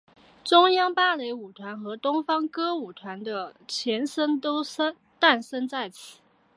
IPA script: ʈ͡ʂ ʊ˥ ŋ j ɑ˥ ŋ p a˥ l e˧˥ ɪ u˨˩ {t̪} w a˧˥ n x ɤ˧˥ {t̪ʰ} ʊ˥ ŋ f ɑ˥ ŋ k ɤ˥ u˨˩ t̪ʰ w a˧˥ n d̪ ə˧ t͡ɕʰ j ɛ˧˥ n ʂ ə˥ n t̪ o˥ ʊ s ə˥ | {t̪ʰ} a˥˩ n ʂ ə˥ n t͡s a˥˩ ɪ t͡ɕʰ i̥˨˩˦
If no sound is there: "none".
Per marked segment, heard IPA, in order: t̪ʰ, t̪, t̪

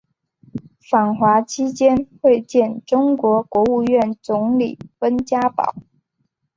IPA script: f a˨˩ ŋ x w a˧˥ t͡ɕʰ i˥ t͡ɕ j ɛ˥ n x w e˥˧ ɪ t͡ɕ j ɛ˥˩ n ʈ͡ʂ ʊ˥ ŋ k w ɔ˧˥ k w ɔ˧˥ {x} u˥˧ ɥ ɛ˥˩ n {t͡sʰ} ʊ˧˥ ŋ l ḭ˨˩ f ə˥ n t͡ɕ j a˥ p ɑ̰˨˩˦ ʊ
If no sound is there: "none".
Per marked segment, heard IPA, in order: none, t͡s

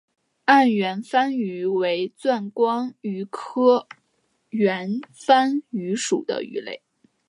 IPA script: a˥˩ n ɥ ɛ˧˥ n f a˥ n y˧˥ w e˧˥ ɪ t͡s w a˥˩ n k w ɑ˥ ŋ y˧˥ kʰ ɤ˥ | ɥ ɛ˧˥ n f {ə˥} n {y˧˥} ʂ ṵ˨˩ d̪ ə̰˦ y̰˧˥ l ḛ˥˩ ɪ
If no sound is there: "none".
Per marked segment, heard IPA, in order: a˥, y˧˥

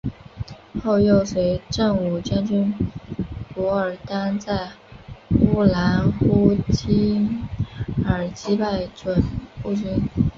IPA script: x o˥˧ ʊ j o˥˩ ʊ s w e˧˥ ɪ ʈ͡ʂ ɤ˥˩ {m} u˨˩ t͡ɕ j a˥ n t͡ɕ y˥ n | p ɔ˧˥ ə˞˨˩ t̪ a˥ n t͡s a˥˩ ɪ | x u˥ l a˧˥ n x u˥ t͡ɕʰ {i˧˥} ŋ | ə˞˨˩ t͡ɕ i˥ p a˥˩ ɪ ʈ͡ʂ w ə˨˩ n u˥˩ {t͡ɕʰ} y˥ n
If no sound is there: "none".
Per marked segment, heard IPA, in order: ŋ, i˥, t͡ɕ

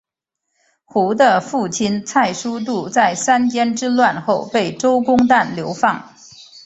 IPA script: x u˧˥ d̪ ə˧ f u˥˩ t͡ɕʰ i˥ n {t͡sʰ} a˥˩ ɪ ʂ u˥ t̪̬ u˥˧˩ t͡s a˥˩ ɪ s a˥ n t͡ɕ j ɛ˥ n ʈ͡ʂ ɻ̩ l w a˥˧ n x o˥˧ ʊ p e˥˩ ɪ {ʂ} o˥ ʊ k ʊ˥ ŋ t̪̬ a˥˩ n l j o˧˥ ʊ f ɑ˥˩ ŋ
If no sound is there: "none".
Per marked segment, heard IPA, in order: t͡sʰ, ʈ͡ʂ

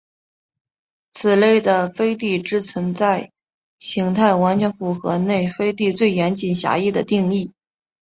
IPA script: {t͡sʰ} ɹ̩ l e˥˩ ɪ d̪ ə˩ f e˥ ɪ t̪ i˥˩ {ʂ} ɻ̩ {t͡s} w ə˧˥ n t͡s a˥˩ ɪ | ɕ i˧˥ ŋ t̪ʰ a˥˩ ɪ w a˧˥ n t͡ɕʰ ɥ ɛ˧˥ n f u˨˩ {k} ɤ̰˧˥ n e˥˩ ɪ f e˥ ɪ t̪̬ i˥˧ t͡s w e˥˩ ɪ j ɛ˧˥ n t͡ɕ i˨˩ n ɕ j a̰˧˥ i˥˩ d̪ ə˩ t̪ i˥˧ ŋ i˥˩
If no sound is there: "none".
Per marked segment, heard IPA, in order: t͡sʰ, ʈ͡ʂ, t͡sʰ, x

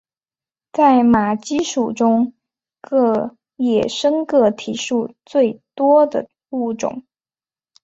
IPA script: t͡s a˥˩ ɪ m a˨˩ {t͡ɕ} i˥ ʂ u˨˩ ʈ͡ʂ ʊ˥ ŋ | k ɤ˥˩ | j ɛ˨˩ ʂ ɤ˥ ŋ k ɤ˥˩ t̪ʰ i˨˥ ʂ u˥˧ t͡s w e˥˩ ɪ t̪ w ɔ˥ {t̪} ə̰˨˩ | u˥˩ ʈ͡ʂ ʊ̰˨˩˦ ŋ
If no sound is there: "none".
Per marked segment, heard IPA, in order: t͡ɕ, d̪

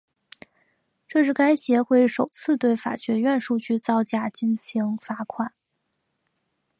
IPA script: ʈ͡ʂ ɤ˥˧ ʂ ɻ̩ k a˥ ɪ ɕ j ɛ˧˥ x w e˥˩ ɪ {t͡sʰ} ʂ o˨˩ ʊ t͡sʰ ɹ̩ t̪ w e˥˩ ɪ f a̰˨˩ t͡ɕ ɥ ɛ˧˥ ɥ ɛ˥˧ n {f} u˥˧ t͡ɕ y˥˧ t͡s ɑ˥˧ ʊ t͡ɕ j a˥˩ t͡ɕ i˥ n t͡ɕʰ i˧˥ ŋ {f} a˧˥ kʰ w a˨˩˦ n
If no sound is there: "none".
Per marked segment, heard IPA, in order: none, ʂ, f

